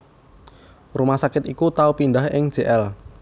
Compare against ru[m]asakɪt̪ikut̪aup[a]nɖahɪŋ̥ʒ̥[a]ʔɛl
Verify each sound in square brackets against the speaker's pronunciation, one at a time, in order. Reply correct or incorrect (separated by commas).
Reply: correct, incorrect, incorrect